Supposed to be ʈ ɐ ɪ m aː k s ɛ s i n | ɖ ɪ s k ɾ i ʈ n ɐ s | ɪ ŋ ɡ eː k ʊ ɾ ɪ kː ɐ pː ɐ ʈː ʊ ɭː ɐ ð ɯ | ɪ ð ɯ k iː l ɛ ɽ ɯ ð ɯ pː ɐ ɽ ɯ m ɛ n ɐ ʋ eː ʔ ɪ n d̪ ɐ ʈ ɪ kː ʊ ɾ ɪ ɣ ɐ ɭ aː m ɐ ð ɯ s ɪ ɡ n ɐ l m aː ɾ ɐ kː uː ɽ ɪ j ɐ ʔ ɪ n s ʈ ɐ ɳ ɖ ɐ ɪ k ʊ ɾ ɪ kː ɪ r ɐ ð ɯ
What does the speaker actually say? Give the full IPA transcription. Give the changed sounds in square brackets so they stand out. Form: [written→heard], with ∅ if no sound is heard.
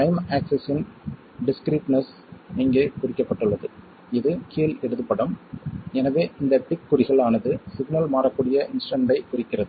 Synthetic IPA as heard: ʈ ɐ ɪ m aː k s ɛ s [i→ɪ] n | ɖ ɪ s k ɾ [i→iː] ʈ n ɐ s | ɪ ŋ ɡ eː k ʊ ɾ ɪ kː ɐ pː ɐ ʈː [ʊ→ɯ] ɭː ɐ ð ɯ | ɪ ð ɯ k iː l ɛ ɽ ɯ ð ɯ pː ɐ ɽ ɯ m ɛ n ɐ ʋ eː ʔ ɪ n d̪ ɐ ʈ ɪ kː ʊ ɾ ɪ ɣ ɐ ɭ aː [m→n] ɐ ð ɯ s ɪ ɡ n ɐ l m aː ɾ ɐ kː uː ɽ ɪ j ɐ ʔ ɪ n s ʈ ɐ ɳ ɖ ɐ ɪ k ʊ ɾ ɪ kː ɪ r ɐ ð ɯ

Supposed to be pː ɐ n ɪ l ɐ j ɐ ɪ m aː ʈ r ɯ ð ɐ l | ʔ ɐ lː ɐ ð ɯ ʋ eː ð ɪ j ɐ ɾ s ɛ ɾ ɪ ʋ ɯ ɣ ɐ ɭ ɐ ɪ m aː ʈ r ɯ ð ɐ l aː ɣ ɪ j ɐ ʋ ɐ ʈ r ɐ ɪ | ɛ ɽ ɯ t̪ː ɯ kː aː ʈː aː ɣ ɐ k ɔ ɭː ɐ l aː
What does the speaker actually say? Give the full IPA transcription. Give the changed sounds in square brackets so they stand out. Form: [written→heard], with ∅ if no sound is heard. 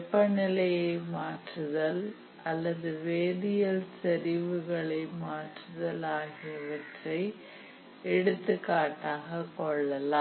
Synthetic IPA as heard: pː ɐ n ɪ l ɐ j ɐ ɪ m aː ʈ r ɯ ð ɐ l | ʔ ɐ lː ɐ ð ɯ ʋ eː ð ɪ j ɐ [ɾ→l] s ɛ ɾ ɪ ʋ ɯ ɣ ɐ ɭ ɐ ɪ m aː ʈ r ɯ ð ɐ l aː ɣ ɪ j ɐ ʋ ɐ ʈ r ɐ ɪ | ɛ ɽ ɯ t̪ː ɯ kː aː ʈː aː ɣ ɐ k ɔ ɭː ɐ l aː

